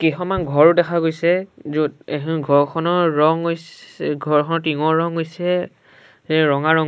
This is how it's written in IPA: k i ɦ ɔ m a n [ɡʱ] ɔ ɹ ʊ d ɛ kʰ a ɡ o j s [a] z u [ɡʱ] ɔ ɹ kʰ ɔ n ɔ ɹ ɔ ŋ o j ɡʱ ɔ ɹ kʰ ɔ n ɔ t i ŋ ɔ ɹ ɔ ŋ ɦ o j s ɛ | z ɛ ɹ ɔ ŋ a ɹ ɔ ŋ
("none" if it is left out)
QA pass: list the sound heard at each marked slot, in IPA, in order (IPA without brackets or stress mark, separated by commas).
ɡʱ, ɛ, ɡʱ